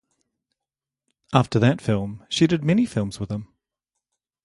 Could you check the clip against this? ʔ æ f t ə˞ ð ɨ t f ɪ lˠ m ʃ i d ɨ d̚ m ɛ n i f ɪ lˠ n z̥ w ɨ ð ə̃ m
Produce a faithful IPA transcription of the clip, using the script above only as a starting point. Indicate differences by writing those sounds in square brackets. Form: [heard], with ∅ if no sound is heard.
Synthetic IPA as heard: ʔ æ f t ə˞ ð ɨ t f ɪ lˠ m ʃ i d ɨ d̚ m ɛ n i f ɪ lˠ [m] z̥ w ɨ ð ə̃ m